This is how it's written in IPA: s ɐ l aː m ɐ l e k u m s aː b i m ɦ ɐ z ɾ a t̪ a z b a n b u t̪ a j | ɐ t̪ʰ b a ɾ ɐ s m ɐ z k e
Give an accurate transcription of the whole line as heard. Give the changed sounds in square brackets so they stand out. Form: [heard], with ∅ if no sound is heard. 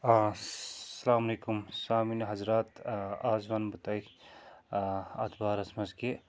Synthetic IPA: s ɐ l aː m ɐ l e k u m s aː [m] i [n] ɦ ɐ z ɾ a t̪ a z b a n b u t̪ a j | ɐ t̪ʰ b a ɾ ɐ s m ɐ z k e